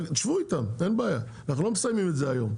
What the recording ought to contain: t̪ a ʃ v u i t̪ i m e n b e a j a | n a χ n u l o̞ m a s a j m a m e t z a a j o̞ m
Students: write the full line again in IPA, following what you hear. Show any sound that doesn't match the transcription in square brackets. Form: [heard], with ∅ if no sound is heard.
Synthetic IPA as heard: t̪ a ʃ v u i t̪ [a] m e n b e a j a | n a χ n u l o̞ m [e] s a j m [i] m e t z [e] a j o̞ m